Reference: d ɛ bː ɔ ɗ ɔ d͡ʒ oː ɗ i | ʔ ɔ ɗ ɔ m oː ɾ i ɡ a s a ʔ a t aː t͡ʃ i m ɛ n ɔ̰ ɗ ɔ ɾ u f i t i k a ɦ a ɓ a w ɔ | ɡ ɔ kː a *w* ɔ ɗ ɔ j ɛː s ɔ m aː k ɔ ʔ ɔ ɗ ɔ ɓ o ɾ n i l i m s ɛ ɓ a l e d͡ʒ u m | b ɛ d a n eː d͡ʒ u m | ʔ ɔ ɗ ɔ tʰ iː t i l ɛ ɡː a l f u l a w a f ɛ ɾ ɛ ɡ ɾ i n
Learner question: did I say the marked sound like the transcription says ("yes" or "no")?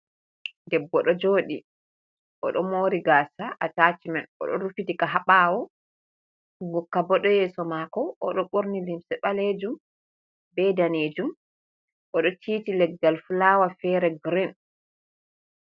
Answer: no